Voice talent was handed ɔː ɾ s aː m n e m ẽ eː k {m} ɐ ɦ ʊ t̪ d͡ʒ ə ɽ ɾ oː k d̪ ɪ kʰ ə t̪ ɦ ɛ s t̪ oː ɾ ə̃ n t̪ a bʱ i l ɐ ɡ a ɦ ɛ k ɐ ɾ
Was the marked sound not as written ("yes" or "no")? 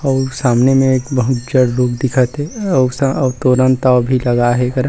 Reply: yes